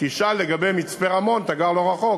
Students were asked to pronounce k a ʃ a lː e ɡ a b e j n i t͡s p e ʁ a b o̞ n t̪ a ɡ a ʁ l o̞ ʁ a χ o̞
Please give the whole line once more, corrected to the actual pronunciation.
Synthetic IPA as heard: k i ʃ a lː e ɡ a b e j m i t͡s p e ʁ a m o̞ n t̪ a ɡ a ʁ l o̞ ʁ a χ o̞